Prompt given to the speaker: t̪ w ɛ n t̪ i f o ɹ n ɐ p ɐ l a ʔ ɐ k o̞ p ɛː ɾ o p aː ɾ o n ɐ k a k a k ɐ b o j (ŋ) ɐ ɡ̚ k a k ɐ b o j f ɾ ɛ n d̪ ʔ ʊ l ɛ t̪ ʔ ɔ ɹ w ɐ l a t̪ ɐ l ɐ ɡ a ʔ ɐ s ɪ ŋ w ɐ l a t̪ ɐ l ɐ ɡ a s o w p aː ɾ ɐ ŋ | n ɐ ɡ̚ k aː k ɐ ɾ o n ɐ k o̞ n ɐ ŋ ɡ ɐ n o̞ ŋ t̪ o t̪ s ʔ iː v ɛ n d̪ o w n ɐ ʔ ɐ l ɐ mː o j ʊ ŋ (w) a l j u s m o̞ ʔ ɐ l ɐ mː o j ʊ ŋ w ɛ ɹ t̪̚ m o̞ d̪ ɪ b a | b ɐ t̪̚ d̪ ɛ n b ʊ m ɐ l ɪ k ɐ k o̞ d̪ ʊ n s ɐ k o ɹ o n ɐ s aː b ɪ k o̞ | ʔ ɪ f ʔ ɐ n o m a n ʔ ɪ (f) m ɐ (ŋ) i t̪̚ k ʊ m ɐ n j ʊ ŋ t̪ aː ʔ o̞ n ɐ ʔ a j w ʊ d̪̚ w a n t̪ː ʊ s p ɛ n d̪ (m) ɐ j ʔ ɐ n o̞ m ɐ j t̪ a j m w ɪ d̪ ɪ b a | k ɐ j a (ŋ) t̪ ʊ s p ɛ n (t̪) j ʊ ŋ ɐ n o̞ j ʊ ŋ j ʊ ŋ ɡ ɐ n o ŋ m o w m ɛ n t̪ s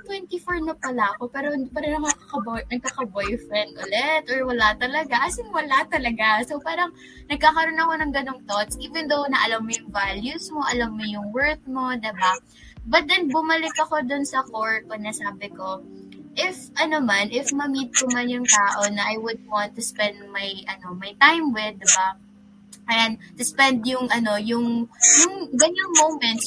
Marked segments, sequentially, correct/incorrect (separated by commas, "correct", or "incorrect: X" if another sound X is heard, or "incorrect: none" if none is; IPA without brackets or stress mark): incorrect: n, incorrect: v, correct, incorrect: m, correct, incorrect: n, incorrect: d̪